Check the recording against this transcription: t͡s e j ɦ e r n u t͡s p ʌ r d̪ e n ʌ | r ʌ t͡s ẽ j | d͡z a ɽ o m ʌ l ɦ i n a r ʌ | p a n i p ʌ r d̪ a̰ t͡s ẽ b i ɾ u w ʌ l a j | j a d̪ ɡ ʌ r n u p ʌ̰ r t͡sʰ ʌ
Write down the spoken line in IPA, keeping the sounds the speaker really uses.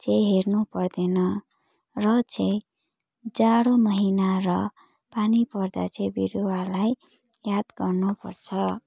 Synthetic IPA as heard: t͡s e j ɦ e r n u p ʌ r d̪ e n ʌ | r ʌ t͡s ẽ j | d͡z a ɽ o m ʌ ɦ i n a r ʌ | p a n i p ʌ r d̪ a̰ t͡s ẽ b i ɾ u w a l a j | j a d̪ ɡ ʌ r n u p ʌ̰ r t͡sʰ ʌ